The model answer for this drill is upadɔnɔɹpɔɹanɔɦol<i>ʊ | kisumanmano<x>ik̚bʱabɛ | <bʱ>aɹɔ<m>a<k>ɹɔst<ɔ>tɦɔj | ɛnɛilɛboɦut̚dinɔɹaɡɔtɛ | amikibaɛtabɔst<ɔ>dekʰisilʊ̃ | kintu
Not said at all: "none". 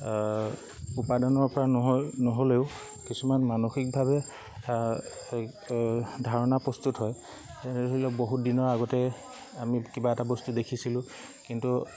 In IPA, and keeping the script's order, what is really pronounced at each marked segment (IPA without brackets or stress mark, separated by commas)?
e, x, dʱ, n, p, u, u